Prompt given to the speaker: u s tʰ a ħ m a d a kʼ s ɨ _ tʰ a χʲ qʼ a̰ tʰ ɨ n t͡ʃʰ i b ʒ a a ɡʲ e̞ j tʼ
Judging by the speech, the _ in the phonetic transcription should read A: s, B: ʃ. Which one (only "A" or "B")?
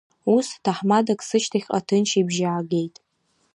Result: B